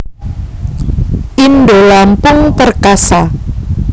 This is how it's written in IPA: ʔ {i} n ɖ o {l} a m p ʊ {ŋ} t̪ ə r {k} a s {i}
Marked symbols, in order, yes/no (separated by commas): yes, yes, yes, yes, no